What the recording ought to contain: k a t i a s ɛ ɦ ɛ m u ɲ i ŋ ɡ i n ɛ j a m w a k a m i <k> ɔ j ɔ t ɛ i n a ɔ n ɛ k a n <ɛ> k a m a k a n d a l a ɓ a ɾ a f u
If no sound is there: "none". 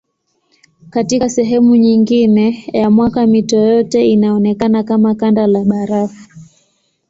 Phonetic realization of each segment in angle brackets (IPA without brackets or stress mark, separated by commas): t, a